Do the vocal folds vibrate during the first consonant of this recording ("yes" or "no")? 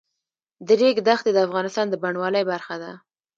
yes